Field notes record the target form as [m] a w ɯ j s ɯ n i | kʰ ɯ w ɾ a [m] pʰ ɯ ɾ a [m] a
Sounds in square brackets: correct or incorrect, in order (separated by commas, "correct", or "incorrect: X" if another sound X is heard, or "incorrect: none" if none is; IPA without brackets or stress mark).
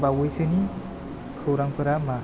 incorrect: b, incorrect: ŋ, correct